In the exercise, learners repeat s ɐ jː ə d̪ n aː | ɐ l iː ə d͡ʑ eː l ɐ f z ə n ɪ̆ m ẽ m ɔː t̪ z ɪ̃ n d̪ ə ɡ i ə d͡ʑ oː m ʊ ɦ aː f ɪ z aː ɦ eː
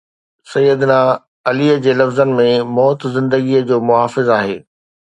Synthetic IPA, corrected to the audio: s ɐ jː ə d̪ n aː | ɐ l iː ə d͡ʑ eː l ɐ f z ə n ɪ̆ m ẽ m ɔː t̪ z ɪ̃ n d̪ ə ɡ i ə d͡ʑ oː m ʊ ɦ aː f ɪ z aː ɦ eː